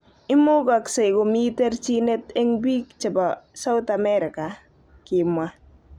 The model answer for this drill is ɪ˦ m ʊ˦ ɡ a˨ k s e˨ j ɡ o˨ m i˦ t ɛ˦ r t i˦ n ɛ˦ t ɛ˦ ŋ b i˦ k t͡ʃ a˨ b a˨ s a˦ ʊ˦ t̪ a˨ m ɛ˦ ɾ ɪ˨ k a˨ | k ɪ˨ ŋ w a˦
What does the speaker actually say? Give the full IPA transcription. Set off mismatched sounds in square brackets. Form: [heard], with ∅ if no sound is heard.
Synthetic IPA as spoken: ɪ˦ m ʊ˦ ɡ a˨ k s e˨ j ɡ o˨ m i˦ t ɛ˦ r [t͡ʃ] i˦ n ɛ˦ t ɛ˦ ŋ b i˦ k t͡ʃ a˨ b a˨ s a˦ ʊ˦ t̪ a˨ m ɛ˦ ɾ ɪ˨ k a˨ | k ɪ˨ [m] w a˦